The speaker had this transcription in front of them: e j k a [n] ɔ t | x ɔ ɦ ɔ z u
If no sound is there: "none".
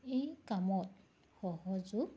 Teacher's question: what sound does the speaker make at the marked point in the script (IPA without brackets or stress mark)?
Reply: m